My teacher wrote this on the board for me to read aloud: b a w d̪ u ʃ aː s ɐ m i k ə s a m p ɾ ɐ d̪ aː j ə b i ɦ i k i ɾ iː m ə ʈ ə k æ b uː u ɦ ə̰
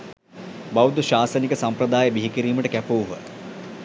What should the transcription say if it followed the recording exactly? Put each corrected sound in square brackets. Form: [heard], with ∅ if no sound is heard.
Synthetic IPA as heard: b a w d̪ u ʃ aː s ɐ [n] i k ə s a m p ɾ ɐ d̪ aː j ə b i ɦ i k i ɾ iː m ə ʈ ə k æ [p] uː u ɦ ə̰